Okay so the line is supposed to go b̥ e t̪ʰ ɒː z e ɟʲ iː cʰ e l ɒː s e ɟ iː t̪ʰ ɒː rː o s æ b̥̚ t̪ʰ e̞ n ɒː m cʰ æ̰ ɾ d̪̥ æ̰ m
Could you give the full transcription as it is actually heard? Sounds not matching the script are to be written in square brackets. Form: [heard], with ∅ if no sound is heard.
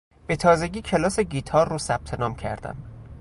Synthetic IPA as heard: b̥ e t̪ʰ ɒː z e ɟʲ iː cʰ e l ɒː s e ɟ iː t̪ʰ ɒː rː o s æ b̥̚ t̪ʰ e̞ n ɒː m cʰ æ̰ ɾ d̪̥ æ̰ m